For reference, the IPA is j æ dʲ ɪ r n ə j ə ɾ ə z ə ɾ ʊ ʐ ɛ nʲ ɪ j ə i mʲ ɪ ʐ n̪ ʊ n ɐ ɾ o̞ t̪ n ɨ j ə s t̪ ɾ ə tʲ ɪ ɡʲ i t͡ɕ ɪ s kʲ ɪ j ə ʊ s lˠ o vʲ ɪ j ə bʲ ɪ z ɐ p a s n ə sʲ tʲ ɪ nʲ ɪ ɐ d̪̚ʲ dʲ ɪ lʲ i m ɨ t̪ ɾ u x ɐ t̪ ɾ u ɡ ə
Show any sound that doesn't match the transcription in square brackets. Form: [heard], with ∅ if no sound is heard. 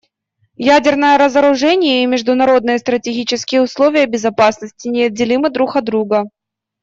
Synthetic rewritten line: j æ dʲ ɪ r n ə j ə ɾ ə z ə ɾ ʊ ʐ ɛ nʲ ɪ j ə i mʲ ɪ ʐ [d̪] ʊ n ɐ ɾ o̞ [d̪] n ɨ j ə s t̪ ɾ ə tʲ ɪ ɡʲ i t͡ɕ ɪ s kʲ ɪ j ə ʊ s lˠ o vʲ ɪ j ə bʲ ɪ z ɐ p a s n ə sʲ tʲ ɪ nʲ ɪ ɐ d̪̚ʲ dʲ ɪ lʲ i m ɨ [d̪] ɾ u x ɐ [d̪] ɾ u ɡ ə